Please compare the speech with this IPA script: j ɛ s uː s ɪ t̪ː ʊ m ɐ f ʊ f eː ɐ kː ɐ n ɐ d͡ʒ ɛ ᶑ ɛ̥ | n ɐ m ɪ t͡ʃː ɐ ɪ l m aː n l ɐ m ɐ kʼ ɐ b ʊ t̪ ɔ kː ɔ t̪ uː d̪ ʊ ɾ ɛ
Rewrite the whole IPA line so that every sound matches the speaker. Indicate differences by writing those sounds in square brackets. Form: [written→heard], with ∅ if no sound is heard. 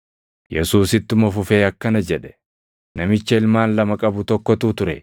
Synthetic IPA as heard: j ɛ s uː s ɪ t̪ː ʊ m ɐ f ʊ f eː ɐ kː ɐ n ɐ d͡ʒ ɛ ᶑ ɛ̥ | n ɐ m ɪ t͡ʃː ɐ ɪ l m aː n l ɐ m ɐ kʼ ɐ b ʊ t̪ ɔ kː ɔ t̪ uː [d̪→t̪] ʊ ɾ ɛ